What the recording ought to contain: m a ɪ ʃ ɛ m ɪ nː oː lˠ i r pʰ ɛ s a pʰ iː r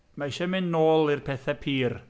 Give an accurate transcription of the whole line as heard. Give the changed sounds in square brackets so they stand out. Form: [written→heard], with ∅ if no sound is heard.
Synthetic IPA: m a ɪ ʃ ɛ m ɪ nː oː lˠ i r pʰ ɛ [s→θ] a pʰ iː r